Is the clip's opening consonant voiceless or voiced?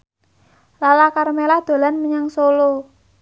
voiced